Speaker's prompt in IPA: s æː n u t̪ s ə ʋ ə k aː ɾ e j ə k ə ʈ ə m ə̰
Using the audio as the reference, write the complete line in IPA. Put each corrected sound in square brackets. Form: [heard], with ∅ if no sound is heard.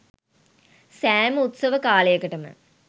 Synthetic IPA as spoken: s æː [m] u t̪ s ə ʋ ə k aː [l] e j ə k ə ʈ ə m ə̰